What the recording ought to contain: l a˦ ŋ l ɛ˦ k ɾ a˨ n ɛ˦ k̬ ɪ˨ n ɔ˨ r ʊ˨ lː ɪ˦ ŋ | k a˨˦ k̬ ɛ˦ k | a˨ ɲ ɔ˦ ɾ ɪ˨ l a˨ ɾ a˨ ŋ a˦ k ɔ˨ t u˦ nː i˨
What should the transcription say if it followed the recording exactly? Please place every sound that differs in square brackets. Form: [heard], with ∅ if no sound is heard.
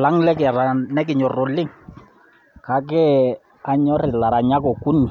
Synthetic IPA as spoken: l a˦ ŋ l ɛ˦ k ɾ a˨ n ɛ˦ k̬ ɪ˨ [ɲ] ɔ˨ r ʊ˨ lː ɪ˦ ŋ | k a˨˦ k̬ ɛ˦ [∅] | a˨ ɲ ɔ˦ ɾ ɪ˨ l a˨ ɾ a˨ [ɲ] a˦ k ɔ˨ [k] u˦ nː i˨